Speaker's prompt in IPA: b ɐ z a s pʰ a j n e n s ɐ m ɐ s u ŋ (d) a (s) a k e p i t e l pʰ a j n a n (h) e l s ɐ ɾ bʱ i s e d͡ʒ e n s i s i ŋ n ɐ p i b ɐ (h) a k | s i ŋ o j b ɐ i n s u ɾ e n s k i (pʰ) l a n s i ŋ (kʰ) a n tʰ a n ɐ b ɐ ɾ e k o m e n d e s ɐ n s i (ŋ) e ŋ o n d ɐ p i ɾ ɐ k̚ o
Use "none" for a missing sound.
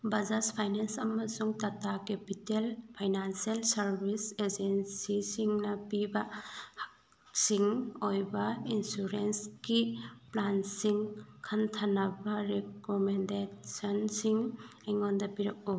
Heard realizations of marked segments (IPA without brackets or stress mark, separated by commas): t, t, s, h, p, kʰ, ŋ